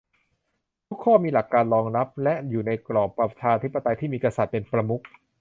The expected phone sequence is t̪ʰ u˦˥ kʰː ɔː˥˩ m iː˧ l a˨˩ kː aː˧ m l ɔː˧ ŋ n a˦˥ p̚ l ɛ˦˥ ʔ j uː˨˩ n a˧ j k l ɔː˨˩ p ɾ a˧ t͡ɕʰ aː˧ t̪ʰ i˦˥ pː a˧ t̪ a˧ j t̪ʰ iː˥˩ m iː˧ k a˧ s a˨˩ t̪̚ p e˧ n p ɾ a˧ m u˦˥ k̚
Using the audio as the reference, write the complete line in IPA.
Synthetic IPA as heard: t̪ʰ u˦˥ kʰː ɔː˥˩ m iː˧ l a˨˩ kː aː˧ n l ɔː˧ ŋ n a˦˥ p̚ l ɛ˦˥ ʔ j uː˨˩ n a˧ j k l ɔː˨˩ p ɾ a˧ t͡ɕʰ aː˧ t̪ʰ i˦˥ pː a˧ t̪ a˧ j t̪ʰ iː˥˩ m iː˧ k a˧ s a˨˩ t̪̚ p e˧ n p ɾ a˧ m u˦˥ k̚